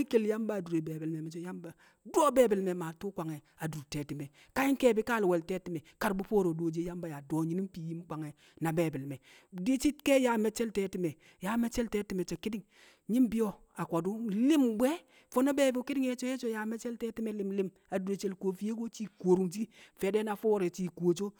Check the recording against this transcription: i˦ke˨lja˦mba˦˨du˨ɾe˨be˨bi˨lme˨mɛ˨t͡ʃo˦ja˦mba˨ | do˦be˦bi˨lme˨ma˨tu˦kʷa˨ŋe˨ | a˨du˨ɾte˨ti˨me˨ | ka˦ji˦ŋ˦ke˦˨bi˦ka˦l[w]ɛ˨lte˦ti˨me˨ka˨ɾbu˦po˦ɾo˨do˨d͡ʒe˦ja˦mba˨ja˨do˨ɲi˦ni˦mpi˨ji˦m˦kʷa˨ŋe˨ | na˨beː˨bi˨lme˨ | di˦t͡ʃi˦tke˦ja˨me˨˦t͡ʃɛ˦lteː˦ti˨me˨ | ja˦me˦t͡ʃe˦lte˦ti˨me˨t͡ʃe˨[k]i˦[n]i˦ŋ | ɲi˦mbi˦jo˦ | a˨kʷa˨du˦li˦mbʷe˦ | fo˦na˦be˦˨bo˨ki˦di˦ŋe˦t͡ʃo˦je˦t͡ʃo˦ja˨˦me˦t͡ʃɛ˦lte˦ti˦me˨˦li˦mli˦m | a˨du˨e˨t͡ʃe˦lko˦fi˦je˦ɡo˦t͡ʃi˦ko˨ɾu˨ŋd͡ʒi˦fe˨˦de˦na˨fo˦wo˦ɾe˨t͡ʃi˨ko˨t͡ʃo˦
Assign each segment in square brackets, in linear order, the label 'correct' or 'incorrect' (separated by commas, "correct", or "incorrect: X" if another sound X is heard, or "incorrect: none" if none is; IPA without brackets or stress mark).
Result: correct, correct, incorrect: d